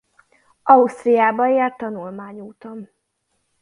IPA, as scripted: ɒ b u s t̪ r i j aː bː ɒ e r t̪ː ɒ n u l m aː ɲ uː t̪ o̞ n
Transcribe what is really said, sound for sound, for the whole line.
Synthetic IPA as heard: ɒ u s t̪ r i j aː b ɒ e r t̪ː ɒ n u l m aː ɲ uː t̪ o̞ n